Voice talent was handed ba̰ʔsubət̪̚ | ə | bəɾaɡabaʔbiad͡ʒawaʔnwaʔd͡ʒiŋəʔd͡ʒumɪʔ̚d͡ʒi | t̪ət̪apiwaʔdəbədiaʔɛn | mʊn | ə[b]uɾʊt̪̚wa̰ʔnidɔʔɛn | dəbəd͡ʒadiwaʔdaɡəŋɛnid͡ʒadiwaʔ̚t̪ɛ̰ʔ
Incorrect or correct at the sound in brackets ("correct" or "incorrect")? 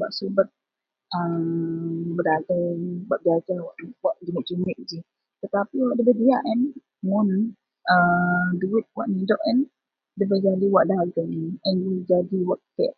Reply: incorrect